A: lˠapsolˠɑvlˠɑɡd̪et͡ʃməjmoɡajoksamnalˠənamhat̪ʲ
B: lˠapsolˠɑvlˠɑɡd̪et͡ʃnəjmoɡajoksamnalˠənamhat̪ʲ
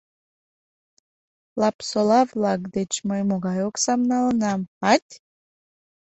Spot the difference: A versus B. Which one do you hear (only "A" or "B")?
A